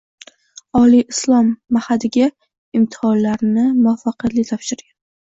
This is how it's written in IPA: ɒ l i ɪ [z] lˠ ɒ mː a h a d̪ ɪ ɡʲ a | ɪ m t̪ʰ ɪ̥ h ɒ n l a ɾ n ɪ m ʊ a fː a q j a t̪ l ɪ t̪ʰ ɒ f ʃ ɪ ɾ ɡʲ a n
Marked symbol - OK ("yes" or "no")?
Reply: no